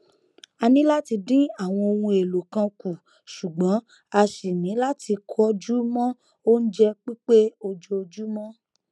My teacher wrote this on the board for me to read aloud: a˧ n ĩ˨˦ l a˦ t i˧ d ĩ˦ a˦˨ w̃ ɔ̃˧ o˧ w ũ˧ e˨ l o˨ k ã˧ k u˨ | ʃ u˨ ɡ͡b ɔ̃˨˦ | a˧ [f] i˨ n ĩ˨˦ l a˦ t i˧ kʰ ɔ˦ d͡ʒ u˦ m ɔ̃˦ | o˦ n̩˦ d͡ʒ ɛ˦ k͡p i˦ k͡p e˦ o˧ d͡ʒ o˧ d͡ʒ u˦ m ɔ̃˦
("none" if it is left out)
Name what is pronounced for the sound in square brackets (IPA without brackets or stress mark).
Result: ʃ